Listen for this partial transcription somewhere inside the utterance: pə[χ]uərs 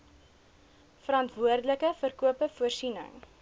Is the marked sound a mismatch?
yes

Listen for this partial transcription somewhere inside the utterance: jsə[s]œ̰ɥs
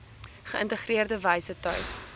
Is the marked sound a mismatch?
yes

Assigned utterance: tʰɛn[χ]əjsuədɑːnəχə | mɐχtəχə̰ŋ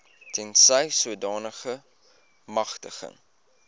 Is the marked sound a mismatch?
yes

